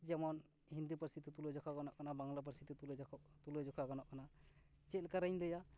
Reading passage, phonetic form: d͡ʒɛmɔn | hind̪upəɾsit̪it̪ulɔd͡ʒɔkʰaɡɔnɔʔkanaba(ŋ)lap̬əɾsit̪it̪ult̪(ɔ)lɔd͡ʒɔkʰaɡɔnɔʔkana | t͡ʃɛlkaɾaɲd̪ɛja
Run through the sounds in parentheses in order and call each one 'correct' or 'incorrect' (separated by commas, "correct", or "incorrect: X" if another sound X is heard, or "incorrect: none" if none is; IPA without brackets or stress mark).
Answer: correct, incorrect: u